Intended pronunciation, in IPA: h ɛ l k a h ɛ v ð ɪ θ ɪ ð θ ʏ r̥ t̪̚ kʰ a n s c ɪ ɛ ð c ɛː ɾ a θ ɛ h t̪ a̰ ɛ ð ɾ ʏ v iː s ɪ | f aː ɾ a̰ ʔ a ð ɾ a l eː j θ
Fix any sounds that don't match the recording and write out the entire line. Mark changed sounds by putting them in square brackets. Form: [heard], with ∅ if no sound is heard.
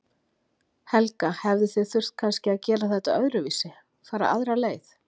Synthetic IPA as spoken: h ɛ l k a h ɛ v ð ɪ θ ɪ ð θ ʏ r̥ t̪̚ kʰ a n s c ɪ [a] ð c ɛː ɾ a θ ɛ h t̪ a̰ [œ] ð ɾ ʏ v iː s ɪ | f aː ɾ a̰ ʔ a ð ɾ a l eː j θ